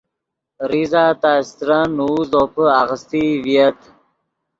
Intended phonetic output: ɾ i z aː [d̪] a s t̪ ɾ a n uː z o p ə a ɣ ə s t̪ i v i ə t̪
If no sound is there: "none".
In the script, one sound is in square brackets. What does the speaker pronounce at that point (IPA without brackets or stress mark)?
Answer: t̪